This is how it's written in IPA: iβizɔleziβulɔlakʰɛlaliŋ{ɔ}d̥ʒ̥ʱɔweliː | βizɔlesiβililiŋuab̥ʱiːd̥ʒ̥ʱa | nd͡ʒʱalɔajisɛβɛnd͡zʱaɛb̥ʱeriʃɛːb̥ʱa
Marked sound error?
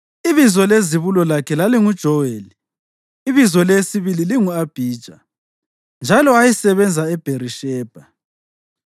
yes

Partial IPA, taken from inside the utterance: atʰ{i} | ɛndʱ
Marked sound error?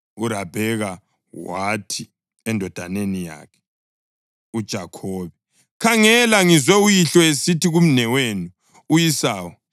no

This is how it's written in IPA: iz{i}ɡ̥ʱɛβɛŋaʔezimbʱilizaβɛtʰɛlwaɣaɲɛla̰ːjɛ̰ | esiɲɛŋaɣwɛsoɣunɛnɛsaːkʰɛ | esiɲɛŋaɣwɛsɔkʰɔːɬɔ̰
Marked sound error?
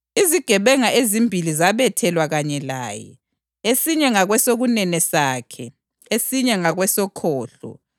no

